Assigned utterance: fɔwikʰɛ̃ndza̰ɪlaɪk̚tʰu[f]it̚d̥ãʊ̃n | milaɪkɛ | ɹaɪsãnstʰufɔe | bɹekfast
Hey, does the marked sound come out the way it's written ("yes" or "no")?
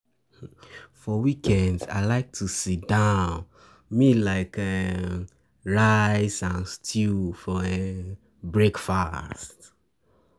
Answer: no